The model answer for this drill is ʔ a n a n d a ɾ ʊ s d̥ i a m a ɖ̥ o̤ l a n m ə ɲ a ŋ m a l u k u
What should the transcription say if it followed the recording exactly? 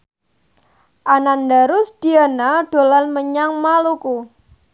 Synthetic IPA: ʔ a n a n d a ɾ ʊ s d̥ i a n a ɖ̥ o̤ l a n m ə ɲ a ŋ m a l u k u